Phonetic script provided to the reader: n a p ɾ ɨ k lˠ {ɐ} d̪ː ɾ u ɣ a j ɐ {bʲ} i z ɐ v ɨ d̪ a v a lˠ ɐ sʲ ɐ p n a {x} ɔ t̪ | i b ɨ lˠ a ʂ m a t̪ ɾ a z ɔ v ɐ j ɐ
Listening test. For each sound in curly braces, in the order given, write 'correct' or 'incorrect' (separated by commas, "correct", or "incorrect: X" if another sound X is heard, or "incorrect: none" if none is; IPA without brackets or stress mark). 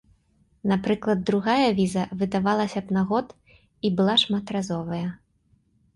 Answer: correct, incorrect: vʲ, incorrect: ɣ